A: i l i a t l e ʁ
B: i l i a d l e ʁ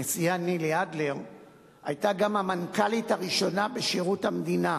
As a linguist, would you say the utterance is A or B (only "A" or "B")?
B